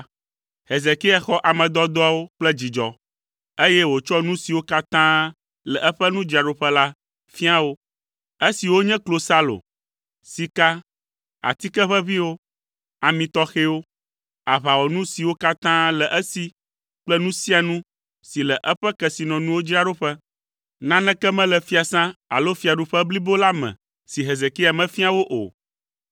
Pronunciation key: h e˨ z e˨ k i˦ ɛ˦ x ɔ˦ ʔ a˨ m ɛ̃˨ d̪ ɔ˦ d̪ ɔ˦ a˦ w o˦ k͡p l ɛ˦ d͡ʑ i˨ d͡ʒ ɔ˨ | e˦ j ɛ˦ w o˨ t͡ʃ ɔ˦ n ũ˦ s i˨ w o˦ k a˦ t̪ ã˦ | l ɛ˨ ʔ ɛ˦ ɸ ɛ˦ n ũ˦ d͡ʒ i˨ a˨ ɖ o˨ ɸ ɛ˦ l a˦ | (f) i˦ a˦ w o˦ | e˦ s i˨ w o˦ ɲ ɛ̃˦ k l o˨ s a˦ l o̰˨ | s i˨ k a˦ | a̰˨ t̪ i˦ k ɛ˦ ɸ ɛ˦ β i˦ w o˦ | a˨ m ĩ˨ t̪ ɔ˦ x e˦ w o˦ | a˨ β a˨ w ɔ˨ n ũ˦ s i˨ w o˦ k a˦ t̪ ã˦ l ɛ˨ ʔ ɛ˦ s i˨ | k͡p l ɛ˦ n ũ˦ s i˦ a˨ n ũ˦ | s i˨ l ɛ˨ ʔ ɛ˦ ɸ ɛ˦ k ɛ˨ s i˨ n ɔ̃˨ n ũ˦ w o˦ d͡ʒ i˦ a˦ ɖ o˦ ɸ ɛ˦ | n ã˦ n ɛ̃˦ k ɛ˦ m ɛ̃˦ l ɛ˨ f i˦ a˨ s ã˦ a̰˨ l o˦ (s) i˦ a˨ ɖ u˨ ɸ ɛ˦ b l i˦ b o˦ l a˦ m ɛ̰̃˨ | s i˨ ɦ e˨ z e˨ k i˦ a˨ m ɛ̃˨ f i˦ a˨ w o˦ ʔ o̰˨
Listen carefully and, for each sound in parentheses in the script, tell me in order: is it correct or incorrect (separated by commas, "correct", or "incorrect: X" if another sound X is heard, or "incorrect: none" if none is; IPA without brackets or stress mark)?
correct, incorrect: f